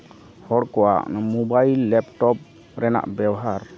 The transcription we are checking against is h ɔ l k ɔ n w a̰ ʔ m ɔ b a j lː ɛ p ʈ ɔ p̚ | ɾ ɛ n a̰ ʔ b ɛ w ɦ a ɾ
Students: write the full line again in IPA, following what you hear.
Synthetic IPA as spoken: h ɔ ɽ k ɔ w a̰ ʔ m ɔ b a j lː ɛ p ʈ ɔ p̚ | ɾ ɛ n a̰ ʔ b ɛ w ɦ a ɾ